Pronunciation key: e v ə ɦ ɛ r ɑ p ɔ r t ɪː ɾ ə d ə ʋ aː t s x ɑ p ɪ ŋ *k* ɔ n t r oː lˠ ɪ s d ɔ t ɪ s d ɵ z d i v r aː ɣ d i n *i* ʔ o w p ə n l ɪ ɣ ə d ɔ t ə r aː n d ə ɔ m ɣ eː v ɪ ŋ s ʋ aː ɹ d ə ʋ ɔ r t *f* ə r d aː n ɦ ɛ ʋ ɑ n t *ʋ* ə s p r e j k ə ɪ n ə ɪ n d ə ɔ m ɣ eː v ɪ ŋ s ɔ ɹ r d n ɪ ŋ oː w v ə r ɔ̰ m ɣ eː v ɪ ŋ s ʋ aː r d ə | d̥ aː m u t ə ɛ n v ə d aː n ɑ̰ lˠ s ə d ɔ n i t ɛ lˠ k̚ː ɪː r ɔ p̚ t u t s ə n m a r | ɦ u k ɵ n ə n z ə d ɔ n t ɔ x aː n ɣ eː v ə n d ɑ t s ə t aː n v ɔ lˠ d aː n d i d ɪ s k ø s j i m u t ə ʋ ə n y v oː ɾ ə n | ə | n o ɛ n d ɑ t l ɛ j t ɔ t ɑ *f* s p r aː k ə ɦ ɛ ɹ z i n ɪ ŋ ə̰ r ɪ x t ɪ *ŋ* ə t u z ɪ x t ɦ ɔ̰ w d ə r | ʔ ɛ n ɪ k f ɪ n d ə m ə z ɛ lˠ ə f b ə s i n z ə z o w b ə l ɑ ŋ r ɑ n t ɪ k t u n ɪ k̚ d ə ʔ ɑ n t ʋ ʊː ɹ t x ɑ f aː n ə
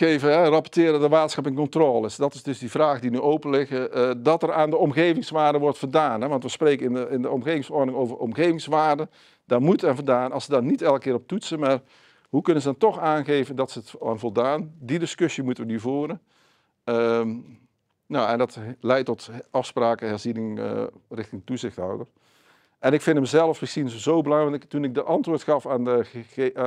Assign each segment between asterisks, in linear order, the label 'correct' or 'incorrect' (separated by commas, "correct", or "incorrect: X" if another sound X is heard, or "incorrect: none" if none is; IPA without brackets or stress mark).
correct, incorrect: y, correct, correct, correct, correct